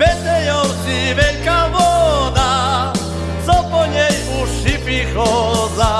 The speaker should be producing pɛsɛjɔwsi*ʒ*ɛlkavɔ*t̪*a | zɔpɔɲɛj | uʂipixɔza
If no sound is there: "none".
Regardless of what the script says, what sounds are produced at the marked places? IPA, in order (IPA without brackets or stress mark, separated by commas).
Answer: v, d̪